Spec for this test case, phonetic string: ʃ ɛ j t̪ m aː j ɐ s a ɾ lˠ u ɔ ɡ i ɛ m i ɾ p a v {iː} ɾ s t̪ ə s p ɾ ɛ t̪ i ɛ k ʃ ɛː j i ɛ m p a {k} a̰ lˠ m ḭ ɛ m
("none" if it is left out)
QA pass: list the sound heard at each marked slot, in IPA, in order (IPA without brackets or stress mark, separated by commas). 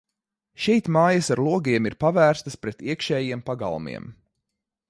æː, ɡ